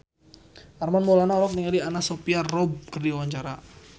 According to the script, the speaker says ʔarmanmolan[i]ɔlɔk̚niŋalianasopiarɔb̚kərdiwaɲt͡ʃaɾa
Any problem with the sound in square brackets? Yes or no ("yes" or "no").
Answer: yes